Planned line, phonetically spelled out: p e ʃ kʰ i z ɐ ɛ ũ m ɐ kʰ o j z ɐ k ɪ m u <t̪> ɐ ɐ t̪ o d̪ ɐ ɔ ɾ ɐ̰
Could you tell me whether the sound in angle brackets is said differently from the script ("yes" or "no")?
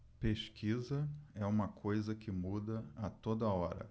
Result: yes